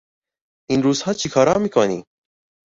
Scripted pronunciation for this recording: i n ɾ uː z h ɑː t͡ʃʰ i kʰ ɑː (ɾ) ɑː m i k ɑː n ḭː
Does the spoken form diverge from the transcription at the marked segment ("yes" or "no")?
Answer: no